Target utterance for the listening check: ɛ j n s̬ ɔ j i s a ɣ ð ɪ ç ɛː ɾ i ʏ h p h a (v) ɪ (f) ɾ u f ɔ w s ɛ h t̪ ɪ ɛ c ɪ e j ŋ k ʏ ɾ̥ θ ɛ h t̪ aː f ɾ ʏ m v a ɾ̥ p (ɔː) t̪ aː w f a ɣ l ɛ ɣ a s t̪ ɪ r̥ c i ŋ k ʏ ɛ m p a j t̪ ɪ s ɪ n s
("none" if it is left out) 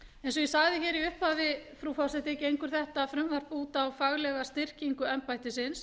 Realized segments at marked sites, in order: ð, f, uː

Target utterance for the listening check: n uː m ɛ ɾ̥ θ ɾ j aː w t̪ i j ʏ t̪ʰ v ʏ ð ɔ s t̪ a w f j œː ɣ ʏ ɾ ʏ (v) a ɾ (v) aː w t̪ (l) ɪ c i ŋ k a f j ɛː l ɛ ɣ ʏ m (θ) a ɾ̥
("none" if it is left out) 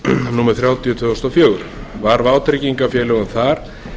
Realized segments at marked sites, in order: v, v, ɾ, θ

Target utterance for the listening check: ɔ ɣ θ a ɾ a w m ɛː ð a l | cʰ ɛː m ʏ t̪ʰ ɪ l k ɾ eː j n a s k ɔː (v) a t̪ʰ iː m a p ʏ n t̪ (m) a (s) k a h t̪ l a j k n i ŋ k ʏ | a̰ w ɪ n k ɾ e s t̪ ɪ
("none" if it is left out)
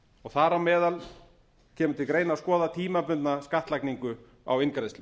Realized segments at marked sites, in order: ð, n, s

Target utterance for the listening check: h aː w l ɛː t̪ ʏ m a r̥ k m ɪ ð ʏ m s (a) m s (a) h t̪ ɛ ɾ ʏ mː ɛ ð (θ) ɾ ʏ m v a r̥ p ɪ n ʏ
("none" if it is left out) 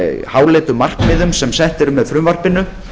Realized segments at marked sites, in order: ɛ, ɛ, f

